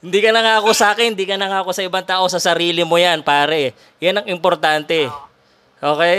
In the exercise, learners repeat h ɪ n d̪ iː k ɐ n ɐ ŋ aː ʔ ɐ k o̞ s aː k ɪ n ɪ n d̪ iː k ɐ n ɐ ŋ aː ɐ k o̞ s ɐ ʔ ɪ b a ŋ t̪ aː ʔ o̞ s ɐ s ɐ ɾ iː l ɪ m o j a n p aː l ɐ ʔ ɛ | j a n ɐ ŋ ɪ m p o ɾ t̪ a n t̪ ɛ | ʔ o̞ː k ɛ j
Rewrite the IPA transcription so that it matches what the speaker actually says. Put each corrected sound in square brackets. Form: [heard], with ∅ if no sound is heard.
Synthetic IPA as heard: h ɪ n d̪ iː k ɐ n ɐ ŋ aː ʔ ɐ k o̞ s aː k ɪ n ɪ n d̪ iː k ɐ n ɐ ŋ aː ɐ k o̞ s ɐ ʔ ɪ b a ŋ t̪ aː ʔ o̞ s ɐ s ɐ ɾ iː l ɪ m o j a n p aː [ɾ] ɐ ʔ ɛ | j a n ɐ ŋ ɪ m p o ɾ t̪ a n t̪ ɛ | ʔ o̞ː k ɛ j